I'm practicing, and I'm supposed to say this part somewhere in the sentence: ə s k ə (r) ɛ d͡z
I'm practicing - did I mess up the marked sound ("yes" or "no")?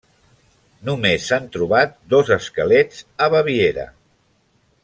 yes